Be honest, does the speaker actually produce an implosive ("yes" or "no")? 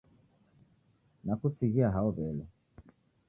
no